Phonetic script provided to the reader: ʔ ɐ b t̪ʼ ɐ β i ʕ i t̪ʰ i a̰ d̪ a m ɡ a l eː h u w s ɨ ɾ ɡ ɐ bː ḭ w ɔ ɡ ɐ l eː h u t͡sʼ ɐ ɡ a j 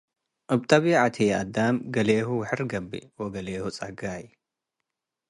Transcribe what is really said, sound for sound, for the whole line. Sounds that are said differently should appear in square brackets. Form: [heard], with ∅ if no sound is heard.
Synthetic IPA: ʔ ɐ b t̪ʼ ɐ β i ʕ [a] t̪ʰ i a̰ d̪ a m ɡ [ɐ] l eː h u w [ħ] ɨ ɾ ɡ ɐ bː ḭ w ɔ ɡ ɐ l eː h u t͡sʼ ɐ ɡ a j

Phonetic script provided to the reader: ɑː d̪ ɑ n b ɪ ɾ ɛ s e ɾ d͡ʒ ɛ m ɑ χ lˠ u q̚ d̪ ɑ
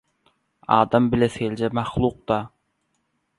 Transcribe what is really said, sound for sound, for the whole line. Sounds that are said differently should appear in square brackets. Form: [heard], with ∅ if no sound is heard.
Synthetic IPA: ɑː d̪ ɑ [m] b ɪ [l] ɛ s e [l] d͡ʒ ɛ m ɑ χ lˠ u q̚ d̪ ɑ

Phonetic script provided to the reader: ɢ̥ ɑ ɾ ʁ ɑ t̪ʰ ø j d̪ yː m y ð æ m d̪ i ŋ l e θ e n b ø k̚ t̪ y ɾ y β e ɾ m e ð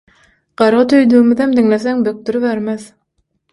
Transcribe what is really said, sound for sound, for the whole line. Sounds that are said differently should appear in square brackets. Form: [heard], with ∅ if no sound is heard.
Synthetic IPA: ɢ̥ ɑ ɾ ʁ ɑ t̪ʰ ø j d̪ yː m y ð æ m d̪ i ŋ l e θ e [ŋ] b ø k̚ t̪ y ɾ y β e ɾ m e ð

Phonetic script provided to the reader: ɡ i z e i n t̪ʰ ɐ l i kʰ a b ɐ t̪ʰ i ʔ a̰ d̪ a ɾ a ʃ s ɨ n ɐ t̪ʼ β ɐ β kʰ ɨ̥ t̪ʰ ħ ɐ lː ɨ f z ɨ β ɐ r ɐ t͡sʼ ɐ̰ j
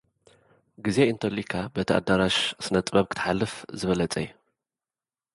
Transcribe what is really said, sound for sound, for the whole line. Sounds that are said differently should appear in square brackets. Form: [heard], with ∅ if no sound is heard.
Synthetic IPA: ɡ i z e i n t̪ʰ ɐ l i kʰ a b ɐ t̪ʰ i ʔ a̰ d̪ a ɾ a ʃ s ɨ n ɐ t̪ʼ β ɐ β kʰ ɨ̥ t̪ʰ ħ [a] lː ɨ f z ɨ β ɐ [l] ɐ t͡sʼ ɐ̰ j

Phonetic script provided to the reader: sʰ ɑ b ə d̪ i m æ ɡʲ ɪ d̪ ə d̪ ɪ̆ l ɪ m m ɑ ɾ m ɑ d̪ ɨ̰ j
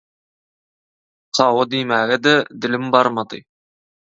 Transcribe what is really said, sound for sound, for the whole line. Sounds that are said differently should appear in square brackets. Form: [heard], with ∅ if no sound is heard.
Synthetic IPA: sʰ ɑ [w] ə d̪ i m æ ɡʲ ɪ d̪ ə d̪ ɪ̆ l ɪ m [b] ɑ ɾ m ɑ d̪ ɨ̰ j

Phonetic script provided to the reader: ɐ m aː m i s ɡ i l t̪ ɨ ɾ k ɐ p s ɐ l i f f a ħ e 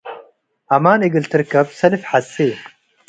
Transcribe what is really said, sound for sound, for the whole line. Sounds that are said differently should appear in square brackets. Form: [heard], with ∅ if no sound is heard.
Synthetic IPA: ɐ m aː [n] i [∅] ɡ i l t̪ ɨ ɾ k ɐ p s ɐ l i f [ħ] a [s] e

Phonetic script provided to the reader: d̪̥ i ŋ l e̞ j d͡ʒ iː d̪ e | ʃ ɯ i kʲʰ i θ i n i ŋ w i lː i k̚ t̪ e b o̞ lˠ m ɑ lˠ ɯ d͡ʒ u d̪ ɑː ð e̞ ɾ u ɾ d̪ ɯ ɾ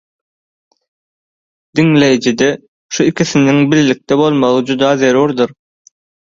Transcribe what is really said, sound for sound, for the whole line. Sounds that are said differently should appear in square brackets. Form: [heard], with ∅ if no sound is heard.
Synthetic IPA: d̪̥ i ŋ l e̞ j d͡ʒ [i] d̪ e | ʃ [u] i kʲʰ i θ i n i ŋ [b] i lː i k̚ t̪ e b o̞ lˠ m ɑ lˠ ɯ d͡ʒ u d̪ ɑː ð e̞ ɾ u ɾ d̪ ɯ ɾ

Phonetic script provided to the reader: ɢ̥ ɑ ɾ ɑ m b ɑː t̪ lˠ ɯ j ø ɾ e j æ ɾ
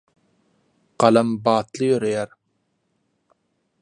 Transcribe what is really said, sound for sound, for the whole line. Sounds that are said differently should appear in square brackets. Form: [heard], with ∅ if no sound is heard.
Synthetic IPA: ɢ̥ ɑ [l] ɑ m b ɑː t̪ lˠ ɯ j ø ɾ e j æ ɾ

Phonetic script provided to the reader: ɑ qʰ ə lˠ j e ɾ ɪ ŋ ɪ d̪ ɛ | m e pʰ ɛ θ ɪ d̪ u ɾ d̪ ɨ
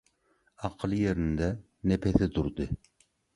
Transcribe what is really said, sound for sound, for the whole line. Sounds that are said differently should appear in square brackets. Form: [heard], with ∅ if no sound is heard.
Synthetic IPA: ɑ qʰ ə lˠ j e ɾ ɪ [n] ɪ d̪ ɛ | [n] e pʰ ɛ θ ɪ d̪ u ɾ d̪ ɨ

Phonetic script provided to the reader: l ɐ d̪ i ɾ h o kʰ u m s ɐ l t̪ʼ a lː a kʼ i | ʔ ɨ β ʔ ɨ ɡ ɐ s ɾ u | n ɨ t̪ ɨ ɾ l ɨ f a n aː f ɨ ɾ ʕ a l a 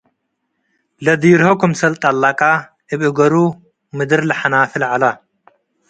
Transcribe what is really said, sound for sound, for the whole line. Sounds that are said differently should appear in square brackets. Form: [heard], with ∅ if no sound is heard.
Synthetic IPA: l ɐ d̪ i ɾ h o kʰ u m s ɐ l t̪ʼ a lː a kʼ [a] | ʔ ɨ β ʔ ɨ ɡ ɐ [∅] ɾ u | [m] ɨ [d̪] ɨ ɾ l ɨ [ħ] a n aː f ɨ [l] ʕ a l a

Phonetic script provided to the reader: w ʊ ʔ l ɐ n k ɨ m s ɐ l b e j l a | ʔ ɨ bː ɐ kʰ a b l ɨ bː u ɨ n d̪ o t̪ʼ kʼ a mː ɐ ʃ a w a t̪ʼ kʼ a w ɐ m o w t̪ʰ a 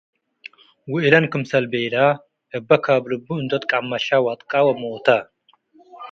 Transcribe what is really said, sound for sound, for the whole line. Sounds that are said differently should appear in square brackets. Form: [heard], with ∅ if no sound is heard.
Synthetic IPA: w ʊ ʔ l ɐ n k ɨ m s ɐ l b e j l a | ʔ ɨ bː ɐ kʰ a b l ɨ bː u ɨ n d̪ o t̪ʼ kʼ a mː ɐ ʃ a w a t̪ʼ kʼ a w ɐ m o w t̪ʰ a

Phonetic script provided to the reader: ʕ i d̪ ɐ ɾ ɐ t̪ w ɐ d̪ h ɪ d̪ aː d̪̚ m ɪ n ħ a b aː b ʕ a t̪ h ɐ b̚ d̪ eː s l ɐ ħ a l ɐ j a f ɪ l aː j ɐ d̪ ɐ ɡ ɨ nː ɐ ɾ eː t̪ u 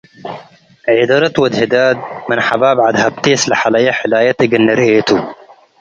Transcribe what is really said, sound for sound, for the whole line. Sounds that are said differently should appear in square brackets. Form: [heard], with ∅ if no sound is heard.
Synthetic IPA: ʕ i d̪ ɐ ɾ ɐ t̪ w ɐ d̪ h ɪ d̪ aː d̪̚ m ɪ n ħ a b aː b ʕ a [d̪] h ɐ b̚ [t̪] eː s l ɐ ħ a l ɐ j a [ħ] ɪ l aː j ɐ [t̪] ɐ ɡ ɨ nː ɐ ɾ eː t̪ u

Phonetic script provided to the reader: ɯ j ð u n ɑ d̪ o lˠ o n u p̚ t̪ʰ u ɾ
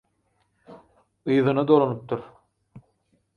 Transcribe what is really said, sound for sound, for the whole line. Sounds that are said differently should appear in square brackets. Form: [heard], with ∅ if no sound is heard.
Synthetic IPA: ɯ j ð [ɯ] n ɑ d̪ o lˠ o n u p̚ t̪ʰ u ɾ

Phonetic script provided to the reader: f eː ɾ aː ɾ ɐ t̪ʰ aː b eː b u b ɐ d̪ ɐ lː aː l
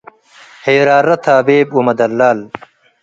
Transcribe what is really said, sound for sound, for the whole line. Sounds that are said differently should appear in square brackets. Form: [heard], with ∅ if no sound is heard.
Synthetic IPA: [h] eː ɾ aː ɾ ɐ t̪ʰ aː b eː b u [m] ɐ d̪ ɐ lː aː l

